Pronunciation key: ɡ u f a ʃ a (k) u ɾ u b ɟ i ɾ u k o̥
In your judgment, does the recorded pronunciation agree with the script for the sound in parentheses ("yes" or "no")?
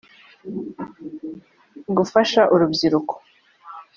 no